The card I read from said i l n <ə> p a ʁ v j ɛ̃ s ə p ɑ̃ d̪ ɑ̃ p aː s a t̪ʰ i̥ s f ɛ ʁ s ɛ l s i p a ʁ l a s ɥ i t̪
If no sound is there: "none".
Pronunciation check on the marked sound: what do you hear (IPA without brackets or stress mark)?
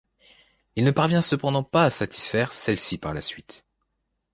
ə